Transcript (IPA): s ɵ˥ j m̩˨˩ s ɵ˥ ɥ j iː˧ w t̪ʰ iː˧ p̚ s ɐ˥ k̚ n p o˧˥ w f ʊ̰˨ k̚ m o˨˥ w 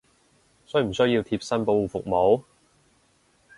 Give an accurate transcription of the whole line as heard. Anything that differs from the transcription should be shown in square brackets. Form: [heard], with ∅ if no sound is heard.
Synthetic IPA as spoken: s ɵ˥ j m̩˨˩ s ɵ˥ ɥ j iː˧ w t̪ʰ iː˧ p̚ s ɐ˥ [∅] n p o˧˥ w f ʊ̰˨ k̚ m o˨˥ w